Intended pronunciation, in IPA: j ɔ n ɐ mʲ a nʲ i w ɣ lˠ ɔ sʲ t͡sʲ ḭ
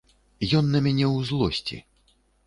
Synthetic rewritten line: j ɔ nː ɐ mʲ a nʲ ɛ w z lˠ ɔ sʲ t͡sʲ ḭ